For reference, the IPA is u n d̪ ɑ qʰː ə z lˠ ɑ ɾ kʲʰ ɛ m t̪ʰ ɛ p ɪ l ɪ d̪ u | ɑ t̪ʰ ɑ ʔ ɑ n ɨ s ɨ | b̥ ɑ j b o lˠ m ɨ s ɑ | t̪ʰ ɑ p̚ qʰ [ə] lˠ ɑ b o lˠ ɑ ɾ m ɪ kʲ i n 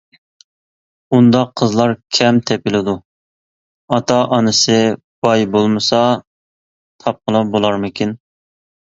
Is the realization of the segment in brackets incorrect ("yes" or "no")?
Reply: no